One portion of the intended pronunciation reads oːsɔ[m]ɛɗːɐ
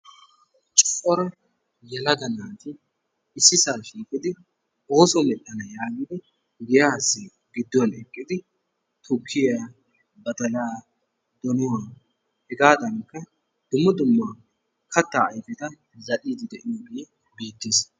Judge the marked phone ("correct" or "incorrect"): correct